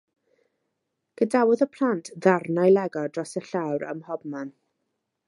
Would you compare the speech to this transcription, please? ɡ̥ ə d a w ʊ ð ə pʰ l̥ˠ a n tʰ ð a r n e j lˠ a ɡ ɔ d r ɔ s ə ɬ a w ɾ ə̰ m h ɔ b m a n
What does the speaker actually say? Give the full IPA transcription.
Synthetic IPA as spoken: ɡ̥ ə d a w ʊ ð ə pʰ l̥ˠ a n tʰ ð a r n a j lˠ ɛ ɡ ɔ d r ɔ s ə ɬ a w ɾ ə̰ m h ɔ b m a n